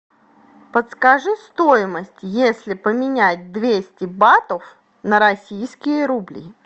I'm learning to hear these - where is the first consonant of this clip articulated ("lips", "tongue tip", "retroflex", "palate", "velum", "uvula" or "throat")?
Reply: lips